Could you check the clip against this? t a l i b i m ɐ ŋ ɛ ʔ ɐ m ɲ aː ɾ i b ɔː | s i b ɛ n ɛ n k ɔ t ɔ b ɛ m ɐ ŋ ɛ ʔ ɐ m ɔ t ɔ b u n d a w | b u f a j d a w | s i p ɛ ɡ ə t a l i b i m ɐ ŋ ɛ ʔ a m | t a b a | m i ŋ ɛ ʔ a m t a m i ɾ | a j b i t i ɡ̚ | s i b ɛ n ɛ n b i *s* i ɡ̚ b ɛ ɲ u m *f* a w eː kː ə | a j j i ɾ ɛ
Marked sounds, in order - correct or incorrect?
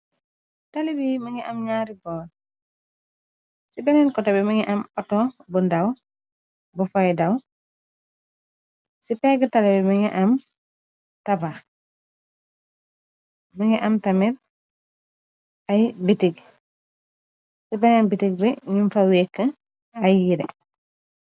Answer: incorrect, correct

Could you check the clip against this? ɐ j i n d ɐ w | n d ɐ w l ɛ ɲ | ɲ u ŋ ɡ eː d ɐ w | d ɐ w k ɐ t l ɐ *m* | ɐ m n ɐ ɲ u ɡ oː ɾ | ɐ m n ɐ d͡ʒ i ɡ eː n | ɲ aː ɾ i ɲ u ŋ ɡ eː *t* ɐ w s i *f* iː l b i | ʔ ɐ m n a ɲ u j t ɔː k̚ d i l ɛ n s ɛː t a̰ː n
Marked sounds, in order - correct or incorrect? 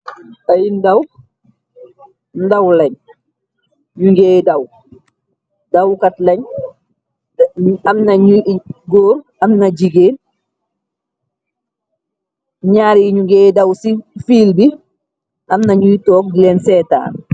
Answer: incorrect, incorrect, correct

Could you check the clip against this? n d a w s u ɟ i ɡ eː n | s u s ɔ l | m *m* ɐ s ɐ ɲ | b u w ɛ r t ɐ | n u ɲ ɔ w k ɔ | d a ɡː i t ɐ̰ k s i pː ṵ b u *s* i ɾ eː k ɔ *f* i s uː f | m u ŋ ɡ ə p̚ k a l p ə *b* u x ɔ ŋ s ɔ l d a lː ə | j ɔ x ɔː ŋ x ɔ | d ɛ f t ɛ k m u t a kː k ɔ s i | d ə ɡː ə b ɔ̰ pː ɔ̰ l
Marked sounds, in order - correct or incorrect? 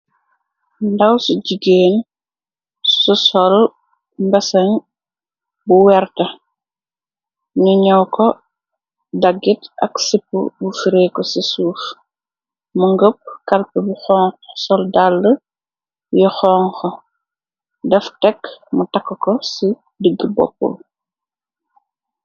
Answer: incorrect, incorrect, incorrect, correct

